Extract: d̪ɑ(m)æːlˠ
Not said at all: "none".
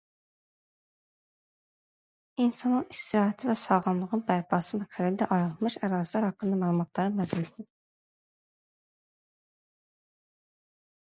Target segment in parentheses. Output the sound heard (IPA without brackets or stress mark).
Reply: m